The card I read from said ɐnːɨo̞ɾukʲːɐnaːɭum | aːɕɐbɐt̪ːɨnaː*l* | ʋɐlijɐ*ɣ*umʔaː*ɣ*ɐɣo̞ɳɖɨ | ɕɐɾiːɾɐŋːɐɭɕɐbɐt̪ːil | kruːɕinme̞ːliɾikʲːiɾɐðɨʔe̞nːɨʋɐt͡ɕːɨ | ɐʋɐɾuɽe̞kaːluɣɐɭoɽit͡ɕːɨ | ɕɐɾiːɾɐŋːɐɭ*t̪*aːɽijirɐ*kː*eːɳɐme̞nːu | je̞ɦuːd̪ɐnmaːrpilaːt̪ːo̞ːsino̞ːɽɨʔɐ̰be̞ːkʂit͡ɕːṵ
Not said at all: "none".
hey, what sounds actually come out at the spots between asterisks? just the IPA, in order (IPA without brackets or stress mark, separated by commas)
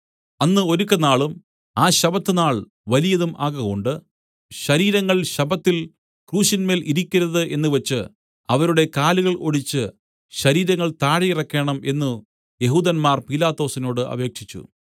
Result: ɭ, ð, ɣ, t̪, kː